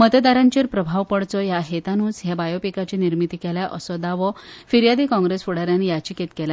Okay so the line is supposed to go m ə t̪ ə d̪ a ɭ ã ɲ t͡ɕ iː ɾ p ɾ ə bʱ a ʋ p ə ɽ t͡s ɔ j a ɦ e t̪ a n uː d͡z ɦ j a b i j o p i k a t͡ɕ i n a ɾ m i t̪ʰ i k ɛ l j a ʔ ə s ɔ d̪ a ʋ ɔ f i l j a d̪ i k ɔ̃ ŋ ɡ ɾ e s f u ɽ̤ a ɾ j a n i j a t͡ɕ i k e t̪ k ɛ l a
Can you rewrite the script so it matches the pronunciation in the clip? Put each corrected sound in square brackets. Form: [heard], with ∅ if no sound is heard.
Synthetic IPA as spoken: m ə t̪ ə d̪ a [ɾ] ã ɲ t͡ɕ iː ɾ p ɾ ə bʱ a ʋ p ə ɽ t͡s ɔ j a ɦ e t̪ a n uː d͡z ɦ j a b [a] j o p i k a t͡ɕ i n [i] ɾ m i [t̪] i k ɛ l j a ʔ ə s ɔ d̪ a ʋ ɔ f i [ɾ] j a d̪ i k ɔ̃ ŋ ɡ ɾ e s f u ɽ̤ a ɾ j a n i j a t͡ɕ i k e t̪ k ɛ l a